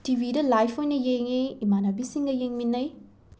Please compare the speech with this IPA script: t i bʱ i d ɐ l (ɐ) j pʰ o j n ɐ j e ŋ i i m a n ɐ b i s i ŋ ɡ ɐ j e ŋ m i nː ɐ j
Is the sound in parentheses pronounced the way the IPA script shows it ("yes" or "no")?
no